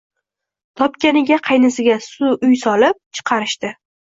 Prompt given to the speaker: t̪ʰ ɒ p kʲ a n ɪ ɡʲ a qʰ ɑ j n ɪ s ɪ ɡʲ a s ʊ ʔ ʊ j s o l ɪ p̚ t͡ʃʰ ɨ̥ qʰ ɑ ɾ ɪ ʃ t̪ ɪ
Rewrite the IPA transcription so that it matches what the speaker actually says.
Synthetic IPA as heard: t̪ʰ ɒ p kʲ a n ɪ ɡʲ a qʰ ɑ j n ɪ s ɪ ɡʲ a s ʊ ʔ ʊ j s ɒ l ɪ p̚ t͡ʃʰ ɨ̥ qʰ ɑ ɾ ɪ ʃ t̪ ɪ